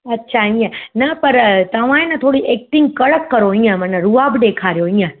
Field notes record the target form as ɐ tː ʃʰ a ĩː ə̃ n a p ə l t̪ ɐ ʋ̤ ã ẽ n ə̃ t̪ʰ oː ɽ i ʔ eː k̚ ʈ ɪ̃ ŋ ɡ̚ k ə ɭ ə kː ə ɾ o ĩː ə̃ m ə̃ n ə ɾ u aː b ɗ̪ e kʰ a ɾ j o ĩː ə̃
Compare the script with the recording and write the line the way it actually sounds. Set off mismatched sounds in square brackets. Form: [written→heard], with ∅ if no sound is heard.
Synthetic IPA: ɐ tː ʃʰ a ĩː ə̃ n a p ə [l→ɾ] t̪ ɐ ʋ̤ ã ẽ n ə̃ t̪ʰ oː ɽ i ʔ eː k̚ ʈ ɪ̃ ŋ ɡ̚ k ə ɭ ə kː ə ɾ o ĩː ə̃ m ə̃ n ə ɾ u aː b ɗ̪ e kʰ a ɾ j o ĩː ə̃